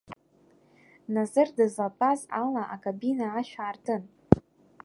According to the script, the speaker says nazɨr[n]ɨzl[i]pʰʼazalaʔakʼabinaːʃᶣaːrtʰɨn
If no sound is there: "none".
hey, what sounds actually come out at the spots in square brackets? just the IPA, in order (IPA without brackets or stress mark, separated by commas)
d, a